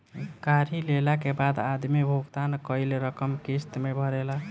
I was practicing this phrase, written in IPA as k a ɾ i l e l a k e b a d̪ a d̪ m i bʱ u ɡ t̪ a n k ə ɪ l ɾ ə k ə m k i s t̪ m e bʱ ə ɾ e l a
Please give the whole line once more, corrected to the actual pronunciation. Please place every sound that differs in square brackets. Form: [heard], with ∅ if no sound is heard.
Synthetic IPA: k a ɾ i l e l a k e b a d̪ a d̪ m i bʱ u ɡ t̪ a n k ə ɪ l ɾ ə k ə m k i s t̪ m e bʱ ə ɾ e l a